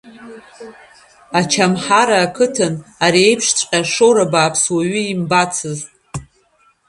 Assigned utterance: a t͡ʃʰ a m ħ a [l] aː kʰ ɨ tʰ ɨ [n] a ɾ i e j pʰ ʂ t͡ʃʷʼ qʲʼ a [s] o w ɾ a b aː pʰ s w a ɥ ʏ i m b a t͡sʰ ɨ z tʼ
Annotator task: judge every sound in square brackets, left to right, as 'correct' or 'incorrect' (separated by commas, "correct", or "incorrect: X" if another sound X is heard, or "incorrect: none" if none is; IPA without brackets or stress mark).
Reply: incorrect: ɾ, correct, incorrect: ʂ